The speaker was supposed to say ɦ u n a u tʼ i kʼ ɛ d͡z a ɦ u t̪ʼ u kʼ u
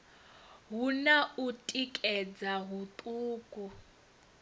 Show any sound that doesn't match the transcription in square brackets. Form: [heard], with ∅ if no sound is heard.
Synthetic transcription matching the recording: ɦ u n a u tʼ i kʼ ɛ d͡z a ɦ u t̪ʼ [uː] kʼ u

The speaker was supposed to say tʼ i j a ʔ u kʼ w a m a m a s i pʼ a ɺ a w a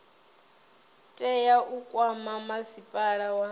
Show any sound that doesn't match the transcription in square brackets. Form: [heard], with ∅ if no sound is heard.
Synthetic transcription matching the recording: tʼ [ɛ] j a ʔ u kʼ w a m a m a s i pʼ a ɺ a w a

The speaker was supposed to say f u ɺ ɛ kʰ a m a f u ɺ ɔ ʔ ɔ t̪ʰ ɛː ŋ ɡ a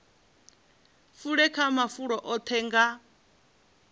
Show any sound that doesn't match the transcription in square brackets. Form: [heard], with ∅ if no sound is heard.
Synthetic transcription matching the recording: f u ɺ ɛ kʰ a m a f u ɺ ɔ ʔ ɔ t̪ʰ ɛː ŋ ɡ a

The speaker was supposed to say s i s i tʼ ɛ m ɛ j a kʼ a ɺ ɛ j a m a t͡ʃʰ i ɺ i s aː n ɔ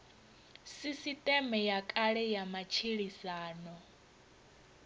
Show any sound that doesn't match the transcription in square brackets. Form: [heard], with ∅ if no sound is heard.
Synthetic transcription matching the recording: s i s i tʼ ɛ m ɛ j a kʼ a ɺ ɛ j a m a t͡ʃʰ i ɺ i s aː n ɔ

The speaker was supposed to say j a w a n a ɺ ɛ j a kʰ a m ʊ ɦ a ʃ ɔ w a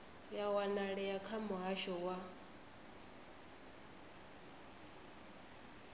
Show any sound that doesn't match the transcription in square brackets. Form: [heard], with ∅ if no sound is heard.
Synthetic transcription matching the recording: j a w a n a ɺ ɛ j a kʰ a m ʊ ɦ a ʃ ɔ w a

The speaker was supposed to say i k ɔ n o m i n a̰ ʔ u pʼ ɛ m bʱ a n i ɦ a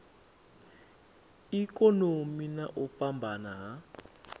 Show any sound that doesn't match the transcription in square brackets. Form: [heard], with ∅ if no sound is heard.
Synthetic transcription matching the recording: i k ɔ n o m i n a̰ ʔ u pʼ [a] m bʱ a n [a] ɦ a

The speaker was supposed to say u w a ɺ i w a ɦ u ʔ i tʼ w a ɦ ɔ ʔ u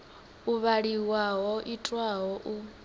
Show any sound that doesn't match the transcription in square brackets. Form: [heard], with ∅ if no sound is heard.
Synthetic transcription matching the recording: u [β] a ɺ i w a ɦ [ɔ] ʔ i tʼ w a ɦ ɔ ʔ u

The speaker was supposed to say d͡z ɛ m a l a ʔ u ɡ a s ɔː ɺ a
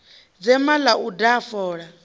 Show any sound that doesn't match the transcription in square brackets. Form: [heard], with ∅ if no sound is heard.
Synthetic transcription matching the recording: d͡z ɛ m a l a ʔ u [d] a [f] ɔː ɺ a

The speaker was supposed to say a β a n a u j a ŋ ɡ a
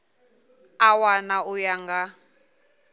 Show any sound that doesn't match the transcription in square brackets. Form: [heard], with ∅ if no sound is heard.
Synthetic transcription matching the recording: a [w] a n a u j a ŋ ɡ a

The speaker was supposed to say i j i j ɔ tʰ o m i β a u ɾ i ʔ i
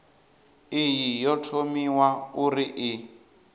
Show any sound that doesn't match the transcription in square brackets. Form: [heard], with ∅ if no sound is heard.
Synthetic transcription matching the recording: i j i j ɔ tʰ o m i [w] a u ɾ i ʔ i

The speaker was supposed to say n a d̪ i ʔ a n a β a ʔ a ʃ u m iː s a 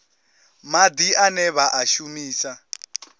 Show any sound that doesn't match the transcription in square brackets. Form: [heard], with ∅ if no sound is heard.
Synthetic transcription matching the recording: [m] a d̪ i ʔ a n [ɛ] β a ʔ a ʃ u m iː s a

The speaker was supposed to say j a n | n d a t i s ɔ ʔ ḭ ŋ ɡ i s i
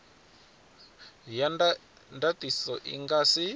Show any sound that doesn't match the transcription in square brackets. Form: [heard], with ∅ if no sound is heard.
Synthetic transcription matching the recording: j a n | n d a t i s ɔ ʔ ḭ ŋ ɡ [a] s i

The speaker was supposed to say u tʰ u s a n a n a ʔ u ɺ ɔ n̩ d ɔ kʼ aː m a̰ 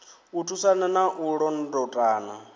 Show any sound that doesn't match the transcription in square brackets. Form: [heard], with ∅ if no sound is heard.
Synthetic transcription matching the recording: u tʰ u s a n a n a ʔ u ɺ ɔ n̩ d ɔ [tʼ] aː [n] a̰

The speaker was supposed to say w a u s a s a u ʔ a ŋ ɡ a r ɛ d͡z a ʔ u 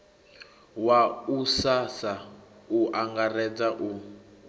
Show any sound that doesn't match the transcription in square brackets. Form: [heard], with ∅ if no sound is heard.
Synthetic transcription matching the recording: w a u s a s a u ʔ a ŋ ɡ a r ɛ d͡z a ʔ u

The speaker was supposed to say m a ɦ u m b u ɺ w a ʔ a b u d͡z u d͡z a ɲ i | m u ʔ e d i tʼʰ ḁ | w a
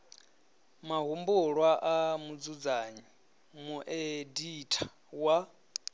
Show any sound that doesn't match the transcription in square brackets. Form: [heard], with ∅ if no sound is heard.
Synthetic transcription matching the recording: m a ɦ u m b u ɺ w a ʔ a [m] u d͡z u d͡z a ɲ i | m u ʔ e d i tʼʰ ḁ | w a

